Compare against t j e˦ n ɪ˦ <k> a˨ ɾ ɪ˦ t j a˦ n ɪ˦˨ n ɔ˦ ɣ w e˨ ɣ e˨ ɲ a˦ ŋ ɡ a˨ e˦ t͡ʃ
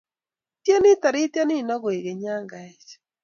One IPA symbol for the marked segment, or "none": t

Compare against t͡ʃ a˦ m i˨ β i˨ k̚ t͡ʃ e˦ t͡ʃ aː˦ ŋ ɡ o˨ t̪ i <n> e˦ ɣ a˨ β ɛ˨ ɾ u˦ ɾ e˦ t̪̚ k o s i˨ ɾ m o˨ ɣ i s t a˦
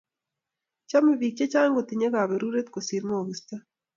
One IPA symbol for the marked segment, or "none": ɲ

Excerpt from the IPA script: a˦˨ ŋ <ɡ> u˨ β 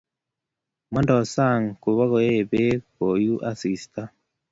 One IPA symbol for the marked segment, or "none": k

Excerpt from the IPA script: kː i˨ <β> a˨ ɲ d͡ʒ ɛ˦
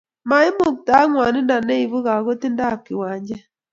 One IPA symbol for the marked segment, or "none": w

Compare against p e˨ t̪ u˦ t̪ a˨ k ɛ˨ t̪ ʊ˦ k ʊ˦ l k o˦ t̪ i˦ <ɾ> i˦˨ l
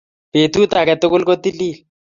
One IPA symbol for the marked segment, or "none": l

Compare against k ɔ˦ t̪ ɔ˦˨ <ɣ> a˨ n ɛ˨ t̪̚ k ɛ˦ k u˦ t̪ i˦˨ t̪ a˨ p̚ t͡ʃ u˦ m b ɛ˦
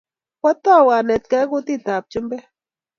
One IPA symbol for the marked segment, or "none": w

